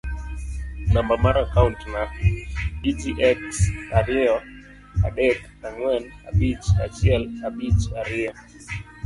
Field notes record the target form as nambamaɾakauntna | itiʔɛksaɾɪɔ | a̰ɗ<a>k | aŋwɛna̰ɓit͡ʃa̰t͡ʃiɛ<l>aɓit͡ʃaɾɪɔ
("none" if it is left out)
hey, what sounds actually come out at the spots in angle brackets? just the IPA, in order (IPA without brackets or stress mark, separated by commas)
ɛ, l